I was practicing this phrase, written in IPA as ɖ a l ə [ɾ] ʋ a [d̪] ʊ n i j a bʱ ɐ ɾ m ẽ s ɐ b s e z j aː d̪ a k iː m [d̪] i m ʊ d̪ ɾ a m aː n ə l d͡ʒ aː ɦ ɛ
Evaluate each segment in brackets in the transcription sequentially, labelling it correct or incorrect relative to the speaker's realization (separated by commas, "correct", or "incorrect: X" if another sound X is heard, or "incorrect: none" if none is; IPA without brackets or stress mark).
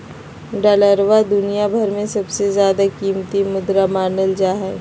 correct, correct, incorrect: t̪